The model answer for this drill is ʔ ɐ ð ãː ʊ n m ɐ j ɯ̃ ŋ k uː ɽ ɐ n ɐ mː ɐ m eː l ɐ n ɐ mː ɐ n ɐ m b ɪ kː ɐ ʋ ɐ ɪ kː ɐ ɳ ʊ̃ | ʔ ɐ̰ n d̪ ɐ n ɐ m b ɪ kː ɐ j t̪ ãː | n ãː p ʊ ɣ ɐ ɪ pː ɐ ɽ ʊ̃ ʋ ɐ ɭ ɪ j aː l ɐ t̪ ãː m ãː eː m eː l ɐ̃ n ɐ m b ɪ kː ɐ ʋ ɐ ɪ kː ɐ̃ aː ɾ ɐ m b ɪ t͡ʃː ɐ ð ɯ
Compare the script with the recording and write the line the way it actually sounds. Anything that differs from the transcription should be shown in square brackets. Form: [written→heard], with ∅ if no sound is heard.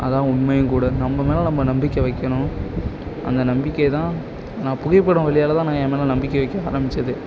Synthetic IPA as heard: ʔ ɐ ð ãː ʊ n m ɐ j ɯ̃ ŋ k uː ɽ ɐ n ɐ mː ɐ m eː l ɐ n ɐ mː ɐ n ɐ m b ɪ kː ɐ ʋ ɐ ɪ kː ɐ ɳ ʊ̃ | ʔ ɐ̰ n d̪ ɐ n ɐ m b ɪ kː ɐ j t̪ ãː | n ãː p ʊ ɣ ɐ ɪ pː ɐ ɽ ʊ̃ ʋ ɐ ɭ ɪ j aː l ɐ t̪ ãː [m→n] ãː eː m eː l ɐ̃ n ɐ m b ɪ kː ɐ ʋ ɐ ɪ kː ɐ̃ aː ɾ ɐ m b ɪ t͡ʃː ɐ ð ɯ